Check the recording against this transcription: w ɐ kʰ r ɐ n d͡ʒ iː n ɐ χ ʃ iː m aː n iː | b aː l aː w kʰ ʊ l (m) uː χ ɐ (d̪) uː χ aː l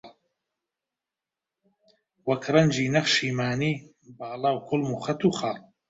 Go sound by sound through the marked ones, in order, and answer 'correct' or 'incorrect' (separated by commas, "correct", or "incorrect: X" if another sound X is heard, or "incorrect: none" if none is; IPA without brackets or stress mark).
correct, incorrect: t̪